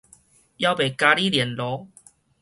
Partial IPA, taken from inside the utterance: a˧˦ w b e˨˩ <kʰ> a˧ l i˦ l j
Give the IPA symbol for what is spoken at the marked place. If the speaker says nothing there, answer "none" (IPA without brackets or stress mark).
k